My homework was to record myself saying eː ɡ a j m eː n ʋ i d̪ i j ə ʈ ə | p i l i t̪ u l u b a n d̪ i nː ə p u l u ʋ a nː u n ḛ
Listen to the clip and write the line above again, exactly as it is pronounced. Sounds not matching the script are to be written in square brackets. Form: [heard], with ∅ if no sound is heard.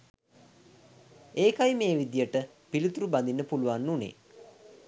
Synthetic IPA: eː [k] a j m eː [∅] ʋ i d̪ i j ə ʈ ə | p i l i t̪ u [ɾ] u b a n d̪ i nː ə p u l u ʋ a nː u n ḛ